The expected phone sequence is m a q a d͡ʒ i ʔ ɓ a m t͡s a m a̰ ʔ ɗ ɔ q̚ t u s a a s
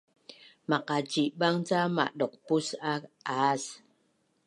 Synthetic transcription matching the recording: m a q a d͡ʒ i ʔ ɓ a ŋ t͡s a m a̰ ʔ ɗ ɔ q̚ p u s a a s